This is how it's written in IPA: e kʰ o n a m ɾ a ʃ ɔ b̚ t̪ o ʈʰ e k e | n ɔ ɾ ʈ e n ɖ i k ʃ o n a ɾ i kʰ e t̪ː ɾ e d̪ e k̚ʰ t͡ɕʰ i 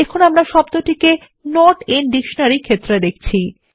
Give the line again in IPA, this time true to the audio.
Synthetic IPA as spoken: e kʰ o n a m ɾ a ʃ ɔ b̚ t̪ o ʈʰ i k e | n ɔ ɾ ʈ e n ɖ i k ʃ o n a ɾ i kʰ e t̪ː ɾ e d̪ e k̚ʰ t͡ɕʰ i